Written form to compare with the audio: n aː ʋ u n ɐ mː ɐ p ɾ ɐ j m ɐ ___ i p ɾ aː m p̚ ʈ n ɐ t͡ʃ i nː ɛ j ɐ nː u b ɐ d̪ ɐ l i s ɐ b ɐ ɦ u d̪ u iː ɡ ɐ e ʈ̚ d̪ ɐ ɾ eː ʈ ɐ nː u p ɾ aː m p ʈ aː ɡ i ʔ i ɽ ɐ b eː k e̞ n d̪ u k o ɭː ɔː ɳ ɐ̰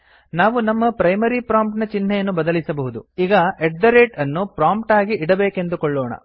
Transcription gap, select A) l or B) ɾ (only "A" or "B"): B